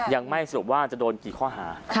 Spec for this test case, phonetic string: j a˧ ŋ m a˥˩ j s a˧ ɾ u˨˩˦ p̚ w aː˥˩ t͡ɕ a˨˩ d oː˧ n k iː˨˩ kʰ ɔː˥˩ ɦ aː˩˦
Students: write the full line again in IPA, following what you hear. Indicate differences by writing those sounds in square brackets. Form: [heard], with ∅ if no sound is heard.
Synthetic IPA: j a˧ ŋ m a˥˩ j s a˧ ɾ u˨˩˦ p̚ w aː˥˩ t͡ɕ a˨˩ d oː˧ n k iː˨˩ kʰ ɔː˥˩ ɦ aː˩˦